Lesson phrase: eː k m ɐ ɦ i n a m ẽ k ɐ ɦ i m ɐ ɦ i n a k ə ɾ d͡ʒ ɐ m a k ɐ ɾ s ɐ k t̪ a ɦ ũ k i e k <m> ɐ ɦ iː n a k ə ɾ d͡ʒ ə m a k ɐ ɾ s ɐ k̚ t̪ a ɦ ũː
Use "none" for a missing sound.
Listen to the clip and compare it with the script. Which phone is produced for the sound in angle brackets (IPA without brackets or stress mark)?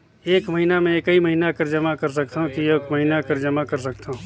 m